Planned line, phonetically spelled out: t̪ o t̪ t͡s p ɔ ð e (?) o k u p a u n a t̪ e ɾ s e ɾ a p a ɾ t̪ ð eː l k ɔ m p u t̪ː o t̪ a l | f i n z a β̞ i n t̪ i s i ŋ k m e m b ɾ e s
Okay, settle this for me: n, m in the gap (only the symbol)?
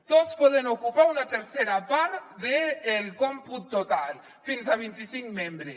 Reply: n